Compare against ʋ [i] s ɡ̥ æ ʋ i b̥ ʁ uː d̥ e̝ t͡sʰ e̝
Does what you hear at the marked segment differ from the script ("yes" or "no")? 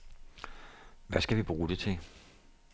yes